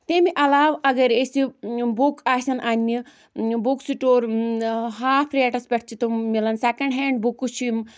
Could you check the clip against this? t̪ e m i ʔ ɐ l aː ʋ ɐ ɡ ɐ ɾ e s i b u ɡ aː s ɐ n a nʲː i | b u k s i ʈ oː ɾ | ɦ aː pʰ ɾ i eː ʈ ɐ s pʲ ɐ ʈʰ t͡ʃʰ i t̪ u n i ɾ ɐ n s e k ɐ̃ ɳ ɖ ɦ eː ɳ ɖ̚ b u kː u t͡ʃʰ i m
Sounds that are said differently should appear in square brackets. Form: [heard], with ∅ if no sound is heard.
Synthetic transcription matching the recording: t̪ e m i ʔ ɐ l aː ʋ ɐ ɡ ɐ ɾ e s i b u [k] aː s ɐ n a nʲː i | b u k s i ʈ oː ɾ | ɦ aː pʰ ɾ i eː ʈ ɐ s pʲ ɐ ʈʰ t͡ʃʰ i t̪ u [m] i [l] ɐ n s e k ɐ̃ ɳ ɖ ɦ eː ɳ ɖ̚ b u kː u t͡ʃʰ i m